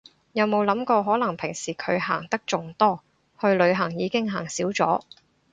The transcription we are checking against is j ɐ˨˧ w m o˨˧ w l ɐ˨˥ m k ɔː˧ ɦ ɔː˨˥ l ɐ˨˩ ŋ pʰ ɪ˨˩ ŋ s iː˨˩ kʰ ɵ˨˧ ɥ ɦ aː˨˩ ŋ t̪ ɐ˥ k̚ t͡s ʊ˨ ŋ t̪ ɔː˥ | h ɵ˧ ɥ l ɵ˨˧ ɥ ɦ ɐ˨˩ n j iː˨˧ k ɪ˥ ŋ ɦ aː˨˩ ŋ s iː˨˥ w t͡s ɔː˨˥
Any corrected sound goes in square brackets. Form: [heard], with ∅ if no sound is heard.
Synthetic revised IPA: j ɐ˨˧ w m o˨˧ w l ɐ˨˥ m k ɔː˧ ɦ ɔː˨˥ l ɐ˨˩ ŋ pʰ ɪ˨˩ ŋ s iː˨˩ kʰ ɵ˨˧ ɥ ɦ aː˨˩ ŋ t̪ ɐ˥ k̚ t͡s ʊ˨ ŋ t̪ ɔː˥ | h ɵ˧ ɥ l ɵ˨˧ ɥ ɦ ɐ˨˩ [ŋ] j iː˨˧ k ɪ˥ ŋ ɦ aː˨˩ ŋ s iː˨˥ w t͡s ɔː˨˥